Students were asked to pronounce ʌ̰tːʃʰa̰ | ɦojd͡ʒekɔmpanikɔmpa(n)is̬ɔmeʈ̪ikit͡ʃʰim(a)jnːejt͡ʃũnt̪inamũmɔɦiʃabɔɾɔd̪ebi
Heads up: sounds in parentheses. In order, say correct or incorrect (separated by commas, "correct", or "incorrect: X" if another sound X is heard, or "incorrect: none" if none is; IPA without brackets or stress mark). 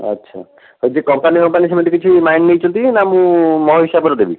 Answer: correct, correct